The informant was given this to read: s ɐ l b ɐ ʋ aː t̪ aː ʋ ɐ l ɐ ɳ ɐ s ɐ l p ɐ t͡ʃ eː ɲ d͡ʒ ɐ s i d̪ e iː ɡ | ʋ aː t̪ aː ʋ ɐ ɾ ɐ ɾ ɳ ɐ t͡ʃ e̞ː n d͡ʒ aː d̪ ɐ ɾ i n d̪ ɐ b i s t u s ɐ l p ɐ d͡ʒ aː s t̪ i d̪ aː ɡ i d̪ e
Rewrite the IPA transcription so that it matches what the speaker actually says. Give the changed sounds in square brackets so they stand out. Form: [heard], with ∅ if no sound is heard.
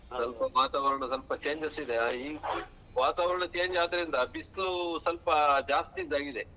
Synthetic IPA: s ɐ l [p] ɐ ʋ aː t̪ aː ʋ ɐ [ɾ] ɐ ɳ ɐ s ɐ l p ɐ t͡ʃ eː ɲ d͡ʒ ɐ s i d̪ e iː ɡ | ʋ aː t̪ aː ʋ ɐ ɾ ɐ [∅] ɳ ɐ t͡ʃ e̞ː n d͡ʒ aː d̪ ɐ ɾ i n d̪ ɐ b i s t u s ɐ l p ɐ d͡ʒ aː s t̪ i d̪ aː ɡ i d̪ e